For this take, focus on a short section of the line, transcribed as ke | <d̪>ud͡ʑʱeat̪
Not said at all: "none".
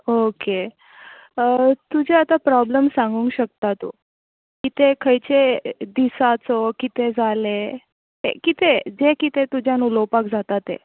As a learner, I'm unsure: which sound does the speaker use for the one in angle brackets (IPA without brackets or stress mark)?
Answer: t̪